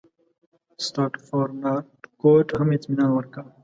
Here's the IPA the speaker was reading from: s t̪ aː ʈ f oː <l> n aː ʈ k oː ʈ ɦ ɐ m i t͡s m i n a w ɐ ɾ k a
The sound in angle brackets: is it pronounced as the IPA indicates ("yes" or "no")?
no